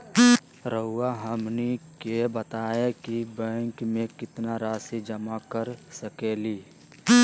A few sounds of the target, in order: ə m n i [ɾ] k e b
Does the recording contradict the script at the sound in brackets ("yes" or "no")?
yes